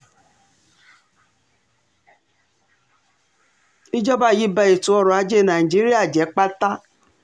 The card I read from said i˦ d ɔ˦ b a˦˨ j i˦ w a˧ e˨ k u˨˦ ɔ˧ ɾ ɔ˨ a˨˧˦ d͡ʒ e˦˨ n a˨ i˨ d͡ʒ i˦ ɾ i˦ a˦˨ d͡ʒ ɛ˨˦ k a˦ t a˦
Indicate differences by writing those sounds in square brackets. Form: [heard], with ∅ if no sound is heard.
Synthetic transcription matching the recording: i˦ [d͡ʒ] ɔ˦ b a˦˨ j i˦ [b] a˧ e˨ [t] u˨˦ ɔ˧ ɾ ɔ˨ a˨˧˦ d͡ʒ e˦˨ n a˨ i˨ d͡ʒ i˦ ɾ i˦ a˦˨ d͡ʒ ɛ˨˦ [k͡p] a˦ t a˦